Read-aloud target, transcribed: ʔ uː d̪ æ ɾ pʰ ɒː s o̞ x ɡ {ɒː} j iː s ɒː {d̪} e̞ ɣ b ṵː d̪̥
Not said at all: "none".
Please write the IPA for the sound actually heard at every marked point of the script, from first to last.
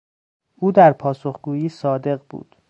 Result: uː, d̪

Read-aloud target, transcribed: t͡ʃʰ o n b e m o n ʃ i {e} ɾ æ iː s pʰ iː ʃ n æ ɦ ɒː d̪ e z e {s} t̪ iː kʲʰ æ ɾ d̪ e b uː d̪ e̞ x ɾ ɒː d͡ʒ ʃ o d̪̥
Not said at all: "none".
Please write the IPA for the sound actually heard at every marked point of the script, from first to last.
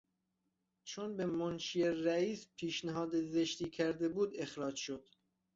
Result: e, ʃ

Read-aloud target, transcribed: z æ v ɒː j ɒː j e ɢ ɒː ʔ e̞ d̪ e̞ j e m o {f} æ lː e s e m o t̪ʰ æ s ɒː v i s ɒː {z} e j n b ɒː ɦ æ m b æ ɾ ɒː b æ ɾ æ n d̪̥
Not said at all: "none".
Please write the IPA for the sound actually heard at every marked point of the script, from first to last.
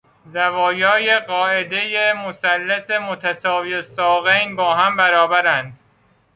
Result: s, ɣ

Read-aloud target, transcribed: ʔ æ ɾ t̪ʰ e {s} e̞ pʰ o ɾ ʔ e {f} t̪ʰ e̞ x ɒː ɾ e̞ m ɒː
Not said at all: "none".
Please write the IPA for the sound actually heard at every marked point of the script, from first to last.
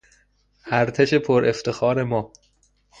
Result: ʃ, f

